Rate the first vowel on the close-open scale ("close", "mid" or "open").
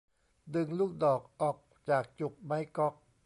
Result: close